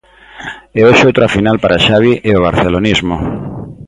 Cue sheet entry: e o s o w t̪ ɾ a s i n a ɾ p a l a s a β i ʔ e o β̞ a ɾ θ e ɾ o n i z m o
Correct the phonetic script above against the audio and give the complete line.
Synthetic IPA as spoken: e o ʃ o w t̪ ɾ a f i n a l p a ɾ a ʃ a β i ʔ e o β̞ a ɾ θ e l o n i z m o